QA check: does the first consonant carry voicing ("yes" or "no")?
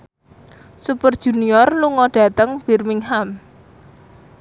no